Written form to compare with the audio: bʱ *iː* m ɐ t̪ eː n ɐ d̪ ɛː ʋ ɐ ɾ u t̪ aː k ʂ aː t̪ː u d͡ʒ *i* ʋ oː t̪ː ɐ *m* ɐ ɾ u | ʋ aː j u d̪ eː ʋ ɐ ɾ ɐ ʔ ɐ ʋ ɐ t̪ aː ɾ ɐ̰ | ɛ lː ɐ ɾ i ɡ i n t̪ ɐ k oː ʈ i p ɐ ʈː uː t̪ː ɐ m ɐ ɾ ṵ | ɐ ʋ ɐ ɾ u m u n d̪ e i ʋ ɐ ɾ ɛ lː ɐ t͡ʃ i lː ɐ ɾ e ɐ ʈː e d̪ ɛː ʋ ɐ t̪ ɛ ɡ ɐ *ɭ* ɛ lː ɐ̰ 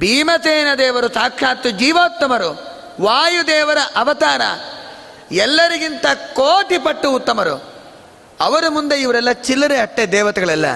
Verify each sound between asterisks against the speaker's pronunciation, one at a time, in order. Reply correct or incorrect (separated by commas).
correct, incorrect, correct, correct